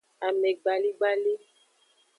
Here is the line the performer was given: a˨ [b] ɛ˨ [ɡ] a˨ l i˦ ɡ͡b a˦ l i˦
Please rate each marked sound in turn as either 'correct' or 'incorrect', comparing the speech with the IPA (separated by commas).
incorrect, incorrect